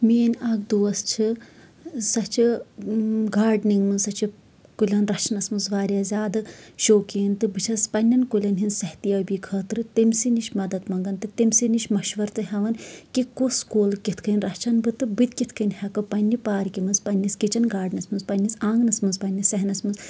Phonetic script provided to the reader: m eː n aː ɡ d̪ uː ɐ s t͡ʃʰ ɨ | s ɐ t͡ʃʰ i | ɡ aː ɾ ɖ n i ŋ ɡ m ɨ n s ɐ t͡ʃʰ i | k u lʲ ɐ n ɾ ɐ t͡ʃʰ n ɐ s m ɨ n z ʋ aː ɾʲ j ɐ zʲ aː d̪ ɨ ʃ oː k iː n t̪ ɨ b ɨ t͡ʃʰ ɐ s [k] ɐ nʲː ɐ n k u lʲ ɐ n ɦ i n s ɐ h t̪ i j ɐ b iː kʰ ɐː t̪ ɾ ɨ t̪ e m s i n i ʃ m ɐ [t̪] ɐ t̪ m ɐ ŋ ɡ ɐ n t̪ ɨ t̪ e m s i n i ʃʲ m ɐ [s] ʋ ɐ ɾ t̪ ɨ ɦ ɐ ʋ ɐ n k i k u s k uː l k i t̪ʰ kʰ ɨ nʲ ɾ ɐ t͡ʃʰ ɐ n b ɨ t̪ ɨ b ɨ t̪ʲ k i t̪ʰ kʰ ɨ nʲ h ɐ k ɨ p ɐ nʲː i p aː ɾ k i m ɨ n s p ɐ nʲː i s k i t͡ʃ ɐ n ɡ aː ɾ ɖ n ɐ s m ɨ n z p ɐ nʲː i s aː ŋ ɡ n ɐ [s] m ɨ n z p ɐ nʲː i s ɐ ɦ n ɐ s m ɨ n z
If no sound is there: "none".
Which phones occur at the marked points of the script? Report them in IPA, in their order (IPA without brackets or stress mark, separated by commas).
p, d̪, ʃ, s